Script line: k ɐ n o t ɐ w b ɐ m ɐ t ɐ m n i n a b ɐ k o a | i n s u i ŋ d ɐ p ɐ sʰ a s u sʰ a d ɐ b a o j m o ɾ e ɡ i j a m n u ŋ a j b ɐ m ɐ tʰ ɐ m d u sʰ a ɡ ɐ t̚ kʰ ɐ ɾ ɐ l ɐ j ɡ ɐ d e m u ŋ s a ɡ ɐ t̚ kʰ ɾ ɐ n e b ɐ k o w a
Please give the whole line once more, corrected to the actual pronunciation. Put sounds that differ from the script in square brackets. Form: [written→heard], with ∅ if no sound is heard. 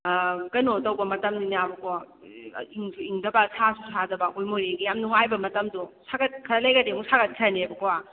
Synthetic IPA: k ɐ n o t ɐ w b ɐ m ɐ t ɐ m n i n a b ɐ k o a | i [n→ŋ] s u i ŋ d ɐ [p→b] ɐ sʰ a s u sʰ a d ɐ b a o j m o ɾ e ɡ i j a m n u ŋ a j b ɐ m ɐ [tʰ→t] ɐ m d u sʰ a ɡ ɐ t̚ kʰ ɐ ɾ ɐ l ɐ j ɡ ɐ d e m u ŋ s a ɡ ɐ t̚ kʰ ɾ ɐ n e b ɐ k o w a